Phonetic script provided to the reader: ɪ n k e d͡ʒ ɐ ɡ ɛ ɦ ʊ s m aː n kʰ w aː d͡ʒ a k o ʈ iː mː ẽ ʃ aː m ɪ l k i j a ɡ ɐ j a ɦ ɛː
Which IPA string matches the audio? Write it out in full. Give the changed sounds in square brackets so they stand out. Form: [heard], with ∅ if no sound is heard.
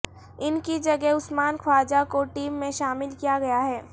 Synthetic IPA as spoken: ɪ n k [i] d͡ʒ ɐ ɡ ɛ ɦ ʊ s m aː n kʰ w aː d͡ʒ a k o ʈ iː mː ẽ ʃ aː m ɪ l k i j a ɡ ɐ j a ɦ ɛː